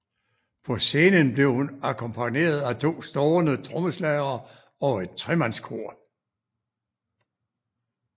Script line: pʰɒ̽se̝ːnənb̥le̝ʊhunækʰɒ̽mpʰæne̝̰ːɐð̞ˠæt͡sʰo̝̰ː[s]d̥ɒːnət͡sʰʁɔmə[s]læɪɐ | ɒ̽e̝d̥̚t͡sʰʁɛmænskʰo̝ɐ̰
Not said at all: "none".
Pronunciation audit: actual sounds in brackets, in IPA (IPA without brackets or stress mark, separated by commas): s, s